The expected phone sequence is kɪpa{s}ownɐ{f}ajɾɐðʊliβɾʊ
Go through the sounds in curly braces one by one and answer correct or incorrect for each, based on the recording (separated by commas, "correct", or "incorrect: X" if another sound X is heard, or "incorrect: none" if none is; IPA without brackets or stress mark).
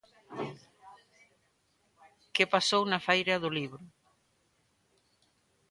correct, correct